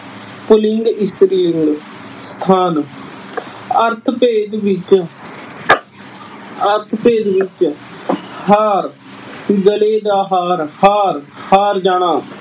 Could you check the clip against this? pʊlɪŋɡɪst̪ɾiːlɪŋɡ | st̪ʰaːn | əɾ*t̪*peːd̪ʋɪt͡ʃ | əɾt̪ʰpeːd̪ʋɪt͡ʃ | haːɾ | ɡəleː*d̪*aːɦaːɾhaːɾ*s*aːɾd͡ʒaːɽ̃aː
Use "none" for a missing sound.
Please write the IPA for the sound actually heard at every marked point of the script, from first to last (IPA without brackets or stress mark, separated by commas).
t̪ʰ, d̪, h